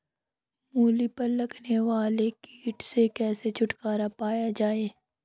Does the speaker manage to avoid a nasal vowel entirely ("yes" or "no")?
yes